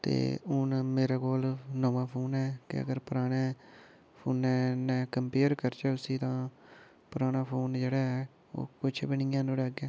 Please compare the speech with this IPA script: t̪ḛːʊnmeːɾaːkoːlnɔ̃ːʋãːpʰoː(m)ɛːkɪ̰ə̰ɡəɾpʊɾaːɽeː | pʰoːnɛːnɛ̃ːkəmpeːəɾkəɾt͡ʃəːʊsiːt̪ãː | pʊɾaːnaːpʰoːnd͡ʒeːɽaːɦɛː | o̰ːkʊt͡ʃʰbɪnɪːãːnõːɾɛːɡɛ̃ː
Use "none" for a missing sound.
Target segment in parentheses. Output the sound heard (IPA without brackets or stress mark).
n